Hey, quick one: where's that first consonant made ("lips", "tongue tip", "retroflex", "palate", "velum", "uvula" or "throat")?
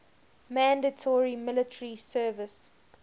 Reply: lips